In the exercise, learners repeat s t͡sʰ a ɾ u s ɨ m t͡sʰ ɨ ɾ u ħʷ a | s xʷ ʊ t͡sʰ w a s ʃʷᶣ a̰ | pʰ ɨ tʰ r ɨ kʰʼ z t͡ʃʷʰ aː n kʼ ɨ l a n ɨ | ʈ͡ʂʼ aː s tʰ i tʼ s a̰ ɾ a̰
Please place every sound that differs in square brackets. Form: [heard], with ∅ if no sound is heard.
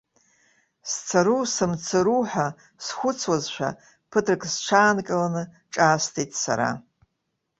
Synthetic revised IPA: s t͡sʰ a ɾ u s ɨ m t͡sʰ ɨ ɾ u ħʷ a | s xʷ ʊ t͡sʰ w a [z] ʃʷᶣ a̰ | pʰ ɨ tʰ r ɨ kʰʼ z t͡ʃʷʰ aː n kʼ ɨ l a n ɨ | ʈ͡ʂʼ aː s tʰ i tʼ s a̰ ɾ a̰